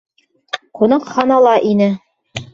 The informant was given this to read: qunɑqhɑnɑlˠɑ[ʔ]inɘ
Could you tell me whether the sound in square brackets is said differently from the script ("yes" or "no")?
no